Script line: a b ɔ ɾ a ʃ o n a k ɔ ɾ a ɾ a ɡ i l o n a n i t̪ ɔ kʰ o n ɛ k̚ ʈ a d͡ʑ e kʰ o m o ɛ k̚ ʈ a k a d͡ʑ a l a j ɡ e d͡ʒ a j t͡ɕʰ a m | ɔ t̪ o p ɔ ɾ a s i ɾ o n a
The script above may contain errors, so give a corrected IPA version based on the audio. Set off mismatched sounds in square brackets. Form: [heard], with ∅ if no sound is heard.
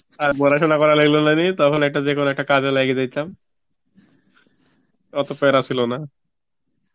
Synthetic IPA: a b ɔ ɾ a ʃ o n a k ɔ ɾ a [l] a ɡ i l o n a n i t̪ ɔ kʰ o n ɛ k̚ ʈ a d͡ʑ e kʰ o [n] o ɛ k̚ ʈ a k a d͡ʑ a l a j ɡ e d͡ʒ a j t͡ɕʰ a m | ɔ t̪ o p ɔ ɾ a s i [l] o n a